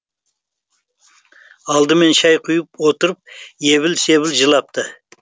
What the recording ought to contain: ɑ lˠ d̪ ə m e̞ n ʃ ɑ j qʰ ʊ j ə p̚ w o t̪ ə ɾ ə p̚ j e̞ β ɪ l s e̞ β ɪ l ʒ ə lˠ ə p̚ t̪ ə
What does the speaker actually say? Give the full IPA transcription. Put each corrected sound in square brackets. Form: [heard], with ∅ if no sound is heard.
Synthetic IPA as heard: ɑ lˠ d̪ ə m e̞ n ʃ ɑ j qʰ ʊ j ə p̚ w o t̪ ə ɾ ə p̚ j e̞ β ɪ l s e̞ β ɪ l ʒ ə lˠ [ɑ] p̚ t̪ ə

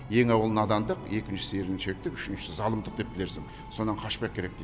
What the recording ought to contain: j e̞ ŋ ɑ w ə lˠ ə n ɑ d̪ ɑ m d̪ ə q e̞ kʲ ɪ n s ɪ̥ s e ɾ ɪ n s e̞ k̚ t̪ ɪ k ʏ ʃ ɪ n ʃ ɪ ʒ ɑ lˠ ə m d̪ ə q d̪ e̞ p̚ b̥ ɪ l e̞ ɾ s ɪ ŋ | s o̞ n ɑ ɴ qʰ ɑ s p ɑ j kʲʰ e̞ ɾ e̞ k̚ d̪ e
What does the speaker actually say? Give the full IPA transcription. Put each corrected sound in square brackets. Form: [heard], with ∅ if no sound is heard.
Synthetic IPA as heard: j e̞ ŋ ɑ w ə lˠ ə n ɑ d̪ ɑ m d̪ ə q e̞ kʲ ɪ n [ʃ] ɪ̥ s e ɾ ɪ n [ʃ] e̞ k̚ t̪ ɪ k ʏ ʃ ɪ n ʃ ɪ [z] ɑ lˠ ə m d̪ ə q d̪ e̞ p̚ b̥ ɪ l e̞ ɾ s ɪ ŋ | s o̞ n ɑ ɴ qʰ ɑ [ʃ] p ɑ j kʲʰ e̞ ɾ e̞ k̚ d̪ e

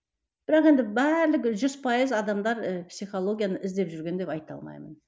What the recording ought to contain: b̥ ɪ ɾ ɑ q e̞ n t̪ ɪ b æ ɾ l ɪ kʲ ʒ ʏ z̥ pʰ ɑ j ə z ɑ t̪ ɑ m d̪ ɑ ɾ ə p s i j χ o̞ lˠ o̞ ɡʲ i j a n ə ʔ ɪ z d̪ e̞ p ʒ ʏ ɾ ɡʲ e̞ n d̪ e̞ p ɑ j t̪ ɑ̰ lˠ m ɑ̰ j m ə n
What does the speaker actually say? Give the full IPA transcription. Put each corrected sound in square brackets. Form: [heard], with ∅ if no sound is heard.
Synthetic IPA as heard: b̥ ɪ ɾ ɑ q e̞ n [d̪] ɪ b æ ɾ l ɪ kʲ ʒ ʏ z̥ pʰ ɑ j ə z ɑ [d̪] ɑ m d̪ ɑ ɾ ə p s i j χ o̞ lˠ o̞ ɡʲ i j a n ə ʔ ɪ z d̪ e̞ p ʒ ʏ ɾ ɡʲ e̞ n d̪ e̞ p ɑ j t̪ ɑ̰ lˠ m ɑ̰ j m ə n

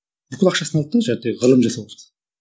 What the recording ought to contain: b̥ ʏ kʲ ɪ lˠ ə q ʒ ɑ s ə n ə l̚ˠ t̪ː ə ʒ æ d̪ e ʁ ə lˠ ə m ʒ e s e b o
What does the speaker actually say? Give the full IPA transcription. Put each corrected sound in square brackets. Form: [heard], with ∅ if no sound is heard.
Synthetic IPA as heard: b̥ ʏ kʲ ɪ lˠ [ɑ] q [ʃ] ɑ s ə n [ɑ] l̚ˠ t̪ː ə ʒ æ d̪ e ʁ ə lˠ ə m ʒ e s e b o

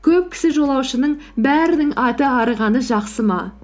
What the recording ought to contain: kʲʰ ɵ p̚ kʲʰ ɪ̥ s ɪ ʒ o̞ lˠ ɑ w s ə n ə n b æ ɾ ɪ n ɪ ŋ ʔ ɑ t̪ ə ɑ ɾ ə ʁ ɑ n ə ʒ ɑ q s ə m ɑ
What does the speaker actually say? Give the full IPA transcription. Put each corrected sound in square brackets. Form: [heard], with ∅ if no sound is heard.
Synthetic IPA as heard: kʲʰ ɵ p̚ kʲʰ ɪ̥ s ɪ ʒ o̞ lˠ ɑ w [ʃ] ə n ə [ɴ] b æ ɾ ɪ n ɪ ŋ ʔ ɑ t̪ ə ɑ ɾ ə ʁ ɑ n ə ʒ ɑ q s ə m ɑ

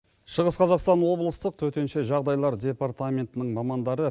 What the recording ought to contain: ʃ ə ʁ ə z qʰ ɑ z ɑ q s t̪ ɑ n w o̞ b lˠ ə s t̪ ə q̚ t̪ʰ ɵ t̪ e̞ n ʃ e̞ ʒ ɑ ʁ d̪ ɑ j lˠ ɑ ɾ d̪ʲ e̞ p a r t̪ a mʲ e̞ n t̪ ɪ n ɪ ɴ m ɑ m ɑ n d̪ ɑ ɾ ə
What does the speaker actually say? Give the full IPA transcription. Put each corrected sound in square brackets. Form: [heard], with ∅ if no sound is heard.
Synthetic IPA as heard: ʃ ə ʁ ə [s] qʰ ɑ z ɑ q s t̪ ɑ n w o̞ b lˠ ə s t̪ ə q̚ t̪ʰ ɵ t̪ e̞ n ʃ e̞ ʒ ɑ ʁ d̪ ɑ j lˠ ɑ ɾ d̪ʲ e̞ p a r t̪ a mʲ e̞ n t̪ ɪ n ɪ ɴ m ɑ m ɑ n d̪ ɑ ɾ ə

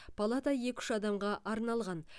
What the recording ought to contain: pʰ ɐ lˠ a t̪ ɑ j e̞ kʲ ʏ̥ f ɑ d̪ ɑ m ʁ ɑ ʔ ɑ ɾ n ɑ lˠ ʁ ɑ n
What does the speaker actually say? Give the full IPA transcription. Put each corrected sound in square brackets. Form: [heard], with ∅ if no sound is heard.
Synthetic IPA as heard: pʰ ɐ lˠ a t̪ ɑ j e̞ kʲ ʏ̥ [ʃ] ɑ d̪ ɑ m ʁ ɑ ʔ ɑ ɾ n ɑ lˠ ʁ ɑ n

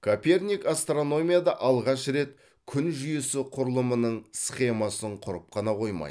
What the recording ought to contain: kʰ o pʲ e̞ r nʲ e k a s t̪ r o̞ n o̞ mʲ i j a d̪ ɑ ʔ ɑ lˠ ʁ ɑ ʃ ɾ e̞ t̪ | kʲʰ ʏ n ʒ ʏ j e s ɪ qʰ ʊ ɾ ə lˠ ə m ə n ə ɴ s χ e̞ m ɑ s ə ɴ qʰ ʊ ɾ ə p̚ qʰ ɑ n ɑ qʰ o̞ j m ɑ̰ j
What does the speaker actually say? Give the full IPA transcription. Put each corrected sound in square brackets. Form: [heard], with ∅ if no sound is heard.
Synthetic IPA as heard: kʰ o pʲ e̞ r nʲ [i] k a s t̪ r o̞ n o̞ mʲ i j a d̪ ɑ ʔ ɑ lˠ ʁ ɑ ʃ ɾ e̞ t̪ | kʲʰ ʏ n ʒ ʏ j e s ɪ qʰ ʊ ɾ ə lˠ ə m ə n ə ɴ s χ e̞ m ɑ s ə ɴ qʰ ʊ ɾ ə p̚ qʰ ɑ n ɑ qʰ o̞ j m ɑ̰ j

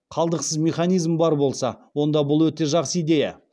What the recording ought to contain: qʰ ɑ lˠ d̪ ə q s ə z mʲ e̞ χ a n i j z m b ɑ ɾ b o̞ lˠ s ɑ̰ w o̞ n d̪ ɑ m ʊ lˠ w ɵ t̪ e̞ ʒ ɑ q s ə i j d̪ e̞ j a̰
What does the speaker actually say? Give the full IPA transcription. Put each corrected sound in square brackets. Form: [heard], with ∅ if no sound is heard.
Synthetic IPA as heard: qʰ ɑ lˠ d̪ ə q s ə z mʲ e̞ χ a n i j z m b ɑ ɾ b o̞ lˠ s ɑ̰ w o̞ n d̪ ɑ [b] ʊ lˠ w ɵ t̪ e̞ ʒ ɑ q s ə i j d̪ e̞ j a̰

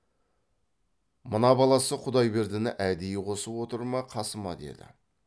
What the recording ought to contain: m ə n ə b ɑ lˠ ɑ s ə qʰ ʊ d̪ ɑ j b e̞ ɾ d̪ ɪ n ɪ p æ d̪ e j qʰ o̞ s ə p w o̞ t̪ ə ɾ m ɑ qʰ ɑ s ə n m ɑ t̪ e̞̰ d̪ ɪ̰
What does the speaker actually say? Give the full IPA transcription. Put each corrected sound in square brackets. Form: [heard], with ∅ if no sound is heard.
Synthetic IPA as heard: m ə n [ɑ] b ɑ lˠ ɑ s ə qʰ ʊ d̪ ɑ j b e̞ ɾ d̪ ɪ n ɪ [ʔ] æ d̪ e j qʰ o̞ s ə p w o̞ t̪ ə ɾ m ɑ qʰ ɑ s ə [∅] m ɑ [d̪] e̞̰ d̪ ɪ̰

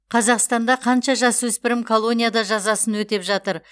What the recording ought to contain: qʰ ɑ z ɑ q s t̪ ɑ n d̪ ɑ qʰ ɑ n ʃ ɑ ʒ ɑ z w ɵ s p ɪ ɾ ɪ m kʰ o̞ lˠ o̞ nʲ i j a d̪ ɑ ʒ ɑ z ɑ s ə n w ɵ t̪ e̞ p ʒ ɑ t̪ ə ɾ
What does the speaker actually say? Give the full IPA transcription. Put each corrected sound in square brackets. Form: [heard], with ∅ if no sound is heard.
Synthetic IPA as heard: qʰ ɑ z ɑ q s t̪ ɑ n d̪ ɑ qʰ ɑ n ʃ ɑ ʒ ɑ [s] w ɵ s p ɪ ɾ ɪ m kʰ o̞ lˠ o̞ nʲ i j a d̪ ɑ ʒ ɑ z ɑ s ə n w ɵ t̪ e̞ p ʒ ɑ t̪ ə ɾ

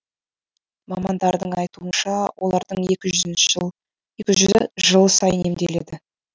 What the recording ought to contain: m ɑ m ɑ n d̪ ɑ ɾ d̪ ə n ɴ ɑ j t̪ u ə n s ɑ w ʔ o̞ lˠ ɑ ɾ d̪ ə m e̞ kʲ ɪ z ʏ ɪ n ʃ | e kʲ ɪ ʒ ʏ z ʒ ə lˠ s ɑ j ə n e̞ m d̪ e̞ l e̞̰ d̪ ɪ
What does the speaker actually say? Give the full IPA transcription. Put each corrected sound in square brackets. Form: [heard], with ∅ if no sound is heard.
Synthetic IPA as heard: m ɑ m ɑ n d̪ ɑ ɾ d̪ ə [∅] ɴ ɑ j t̪ u ə n [ʃ] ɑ w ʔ o̞ lˠ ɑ ɾ d̪ ə [ɴ] e̞ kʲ ɪ [ʒ] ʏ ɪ n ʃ | e kʲ ɪ ʒ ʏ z ʒ ə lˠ s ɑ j ə n e̞ m d̪ e̞ l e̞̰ d̪ ɪ

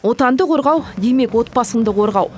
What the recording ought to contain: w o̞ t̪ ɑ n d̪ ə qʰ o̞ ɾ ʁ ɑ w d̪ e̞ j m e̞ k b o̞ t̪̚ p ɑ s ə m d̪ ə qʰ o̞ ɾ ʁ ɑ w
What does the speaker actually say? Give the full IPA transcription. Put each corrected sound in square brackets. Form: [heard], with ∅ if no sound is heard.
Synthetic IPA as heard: w o̞ t̪ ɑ n d̪ ə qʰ o̞ ɾ ʁ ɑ w d̪ e̞ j m e̞ k [w] o̞ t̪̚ p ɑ s ə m d̪ ə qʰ o̞ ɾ ʁ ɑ w

